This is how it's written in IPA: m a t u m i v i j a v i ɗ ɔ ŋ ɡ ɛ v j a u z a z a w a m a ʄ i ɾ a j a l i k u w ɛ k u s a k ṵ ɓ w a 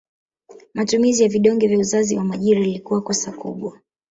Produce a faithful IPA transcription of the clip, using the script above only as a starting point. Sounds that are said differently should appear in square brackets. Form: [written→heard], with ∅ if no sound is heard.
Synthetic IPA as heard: m a t u m i [v→z] i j a v i ɗ ɔ ŋ ɡ ɛ v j a u z a z [a→i] w a m a ʄ i ɾ a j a l i k u w [ɛ→a] k [u→ɔ] s a k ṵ ɓ w a